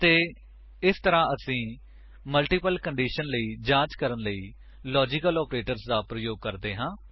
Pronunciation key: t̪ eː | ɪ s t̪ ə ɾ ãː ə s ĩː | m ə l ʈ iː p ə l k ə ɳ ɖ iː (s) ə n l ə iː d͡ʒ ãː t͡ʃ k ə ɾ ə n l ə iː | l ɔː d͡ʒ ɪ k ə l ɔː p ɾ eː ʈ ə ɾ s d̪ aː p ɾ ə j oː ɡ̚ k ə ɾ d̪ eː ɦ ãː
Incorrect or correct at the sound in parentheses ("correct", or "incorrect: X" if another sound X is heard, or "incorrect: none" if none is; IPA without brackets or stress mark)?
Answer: incorrect: ʃ